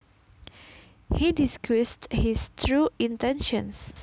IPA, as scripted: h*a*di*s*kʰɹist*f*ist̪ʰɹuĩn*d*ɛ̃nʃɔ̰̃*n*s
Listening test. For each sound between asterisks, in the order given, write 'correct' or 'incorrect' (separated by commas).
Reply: incorrect, correct, incorrect, incorrect, correct